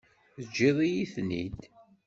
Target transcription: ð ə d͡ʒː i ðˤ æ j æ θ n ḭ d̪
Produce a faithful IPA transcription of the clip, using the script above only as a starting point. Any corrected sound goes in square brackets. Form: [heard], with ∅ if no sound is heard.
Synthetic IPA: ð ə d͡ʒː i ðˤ [i] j [i] θ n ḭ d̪